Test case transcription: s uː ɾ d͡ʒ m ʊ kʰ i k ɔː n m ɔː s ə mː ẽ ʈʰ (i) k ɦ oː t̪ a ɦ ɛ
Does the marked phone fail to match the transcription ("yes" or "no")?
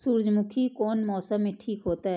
yes